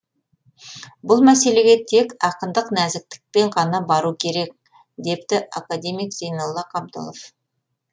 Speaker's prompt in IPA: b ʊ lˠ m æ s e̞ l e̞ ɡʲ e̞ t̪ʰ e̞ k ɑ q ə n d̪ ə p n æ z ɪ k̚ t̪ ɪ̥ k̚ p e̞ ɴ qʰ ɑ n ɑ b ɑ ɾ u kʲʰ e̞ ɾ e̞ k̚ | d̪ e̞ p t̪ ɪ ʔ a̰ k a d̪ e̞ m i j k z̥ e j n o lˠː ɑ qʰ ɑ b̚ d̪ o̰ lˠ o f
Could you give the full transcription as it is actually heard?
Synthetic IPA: b ʊ lˠ m æ s e̞ l e̞ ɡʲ e̞ t̪ʰ e̞ k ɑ q ə n d̪ ə q n æ z ɪ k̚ t̪ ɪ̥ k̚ p e̞ ɴ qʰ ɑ n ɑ b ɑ ɾ u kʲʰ e̞ ɾ e̞ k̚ | d̪ e̞ p t̪ ɪ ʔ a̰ k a d̪ e̞ m i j k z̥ e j n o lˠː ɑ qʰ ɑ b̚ d̪ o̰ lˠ o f